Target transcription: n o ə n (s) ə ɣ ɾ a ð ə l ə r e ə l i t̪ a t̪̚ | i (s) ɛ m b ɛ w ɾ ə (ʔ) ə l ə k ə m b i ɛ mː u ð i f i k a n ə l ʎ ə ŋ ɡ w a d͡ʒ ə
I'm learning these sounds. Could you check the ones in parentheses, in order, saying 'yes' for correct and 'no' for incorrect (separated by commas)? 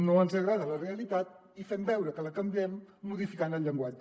no, no, no